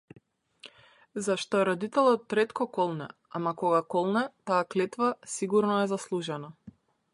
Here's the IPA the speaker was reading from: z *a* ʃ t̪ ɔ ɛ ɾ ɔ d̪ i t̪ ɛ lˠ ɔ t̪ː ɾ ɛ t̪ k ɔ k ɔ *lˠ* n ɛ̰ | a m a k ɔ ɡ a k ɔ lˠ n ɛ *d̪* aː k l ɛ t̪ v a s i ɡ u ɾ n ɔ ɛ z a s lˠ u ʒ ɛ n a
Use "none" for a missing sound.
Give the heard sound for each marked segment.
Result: a, lˠ, t̪

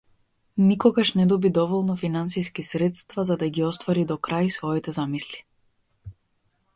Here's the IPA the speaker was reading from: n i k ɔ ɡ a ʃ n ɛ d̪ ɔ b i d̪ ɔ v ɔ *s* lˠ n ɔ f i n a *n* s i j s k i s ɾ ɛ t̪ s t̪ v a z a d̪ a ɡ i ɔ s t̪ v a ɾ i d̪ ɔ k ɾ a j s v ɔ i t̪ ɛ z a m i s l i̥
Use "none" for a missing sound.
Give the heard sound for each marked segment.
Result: none, n

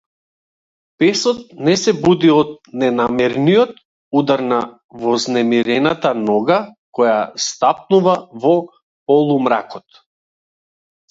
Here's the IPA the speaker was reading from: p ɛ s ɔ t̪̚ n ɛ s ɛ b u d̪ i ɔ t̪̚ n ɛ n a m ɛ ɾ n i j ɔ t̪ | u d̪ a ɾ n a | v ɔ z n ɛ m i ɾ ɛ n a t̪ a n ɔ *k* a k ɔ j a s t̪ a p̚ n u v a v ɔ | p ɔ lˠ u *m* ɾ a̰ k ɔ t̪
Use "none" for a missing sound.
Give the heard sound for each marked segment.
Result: ɡ, m

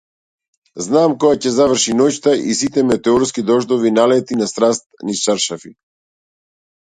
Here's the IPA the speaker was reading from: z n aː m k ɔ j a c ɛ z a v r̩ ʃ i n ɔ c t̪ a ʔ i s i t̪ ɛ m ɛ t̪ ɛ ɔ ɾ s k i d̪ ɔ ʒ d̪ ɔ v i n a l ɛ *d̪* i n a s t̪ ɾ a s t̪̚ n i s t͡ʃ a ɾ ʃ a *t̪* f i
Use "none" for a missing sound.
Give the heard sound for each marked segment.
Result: t̪, none

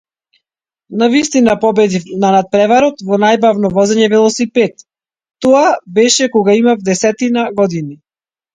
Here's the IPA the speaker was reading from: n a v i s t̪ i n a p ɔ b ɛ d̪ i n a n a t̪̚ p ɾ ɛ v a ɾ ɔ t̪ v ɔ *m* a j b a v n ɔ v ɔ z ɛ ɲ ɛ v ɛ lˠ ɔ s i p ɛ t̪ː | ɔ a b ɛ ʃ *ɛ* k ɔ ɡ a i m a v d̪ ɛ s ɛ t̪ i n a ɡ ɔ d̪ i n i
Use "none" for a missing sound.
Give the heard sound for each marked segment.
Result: n, ɛ

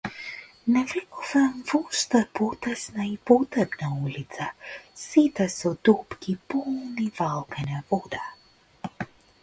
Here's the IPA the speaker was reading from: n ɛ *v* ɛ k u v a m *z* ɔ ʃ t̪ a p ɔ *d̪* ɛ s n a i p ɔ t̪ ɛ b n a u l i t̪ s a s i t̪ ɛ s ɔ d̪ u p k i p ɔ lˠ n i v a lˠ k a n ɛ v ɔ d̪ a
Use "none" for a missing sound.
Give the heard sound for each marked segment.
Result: v, v, t̪

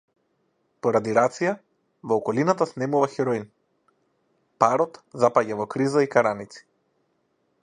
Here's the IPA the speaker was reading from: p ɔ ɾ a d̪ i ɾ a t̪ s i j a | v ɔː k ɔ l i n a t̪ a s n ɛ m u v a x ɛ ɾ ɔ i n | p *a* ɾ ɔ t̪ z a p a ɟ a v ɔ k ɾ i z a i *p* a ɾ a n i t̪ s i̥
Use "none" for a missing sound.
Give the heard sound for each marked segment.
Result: a, k

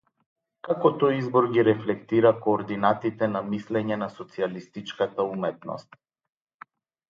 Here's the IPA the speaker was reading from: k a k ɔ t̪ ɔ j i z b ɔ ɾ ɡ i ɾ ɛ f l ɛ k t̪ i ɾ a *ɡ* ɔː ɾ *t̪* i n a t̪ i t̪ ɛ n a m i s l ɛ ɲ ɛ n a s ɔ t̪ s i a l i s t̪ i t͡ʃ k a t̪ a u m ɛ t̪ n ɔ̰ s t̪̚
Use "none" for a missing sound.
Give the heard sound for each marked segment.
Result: k, d̪

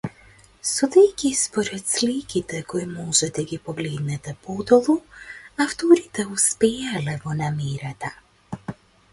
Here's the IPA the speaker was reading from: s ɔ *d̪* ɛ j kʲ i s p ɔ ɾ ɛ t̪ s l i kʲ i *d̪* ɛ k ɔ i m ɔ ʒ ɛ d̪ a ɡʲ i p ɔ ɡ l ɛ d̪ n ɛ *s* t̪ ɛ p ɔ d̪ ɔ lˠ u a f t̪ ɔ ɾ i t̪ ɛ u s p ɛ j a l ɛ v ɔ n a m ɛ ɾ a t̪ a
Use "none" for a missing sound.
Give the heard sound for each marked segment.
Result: d̪, t̪, none

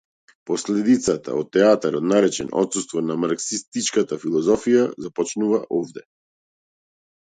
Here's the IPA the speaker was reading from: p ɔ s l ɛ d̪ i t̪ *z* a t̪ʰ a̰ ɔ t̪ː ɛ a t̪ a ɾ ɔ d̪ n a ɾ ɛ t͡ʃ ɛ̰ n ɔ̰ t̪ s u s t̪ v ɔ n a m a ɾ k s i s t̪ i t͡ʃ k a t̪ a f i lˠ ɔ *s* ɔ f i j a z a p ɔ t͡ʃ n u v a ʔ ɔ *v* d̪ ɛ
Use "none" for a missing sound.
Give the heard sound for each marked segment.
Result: s, z, v

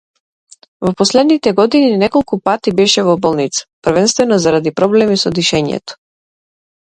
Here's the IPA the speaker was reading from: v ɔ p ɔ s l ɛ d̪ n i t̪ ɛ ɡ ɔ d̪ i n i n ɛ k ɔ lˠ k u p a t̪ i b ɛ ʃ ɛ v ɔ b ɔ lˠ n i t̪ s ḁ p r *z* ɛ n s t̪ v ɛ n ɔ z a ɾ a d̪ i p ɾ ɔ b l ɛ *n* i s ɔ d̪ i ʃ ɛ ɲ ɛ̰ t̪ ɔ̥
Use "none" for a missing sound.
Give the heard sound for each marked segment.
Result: v, m

